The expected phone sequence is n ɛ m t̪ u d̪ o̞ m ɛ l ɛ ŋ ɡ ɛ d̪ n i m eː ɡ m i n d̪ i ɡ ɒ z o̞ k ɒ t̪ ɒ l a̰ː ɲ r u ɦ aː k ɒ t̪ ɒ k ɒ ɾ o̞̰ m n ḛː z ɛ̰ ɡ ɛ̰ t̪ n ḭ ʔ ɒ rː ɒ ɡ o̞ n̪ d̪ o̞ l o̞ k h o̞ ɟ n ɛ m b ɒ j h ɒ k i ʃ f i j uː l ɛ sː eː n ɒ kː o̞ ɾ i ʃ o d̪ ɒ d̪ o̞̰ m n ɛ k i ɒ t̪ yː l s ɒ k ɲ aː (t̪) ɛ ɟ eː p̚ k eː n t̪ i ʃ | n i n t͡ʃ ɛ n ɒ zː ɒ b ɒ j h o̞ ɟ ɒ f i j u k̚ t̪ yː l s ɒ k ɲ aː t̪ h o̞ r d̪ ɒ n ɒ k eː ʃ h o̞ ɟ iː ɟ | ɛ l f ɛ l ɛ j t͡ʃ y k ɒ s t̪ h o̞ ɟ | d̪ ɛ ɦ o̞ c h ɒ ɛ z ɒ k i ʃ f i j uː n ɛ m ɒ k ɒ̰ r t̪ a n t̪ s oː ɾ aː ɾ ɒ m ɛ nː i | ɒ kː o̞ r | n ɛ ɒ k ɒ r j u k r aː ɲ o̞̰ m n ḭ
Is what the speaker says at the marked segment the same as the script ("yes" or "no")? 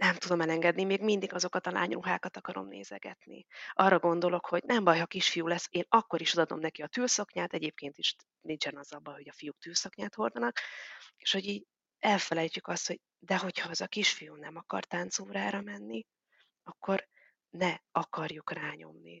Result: yes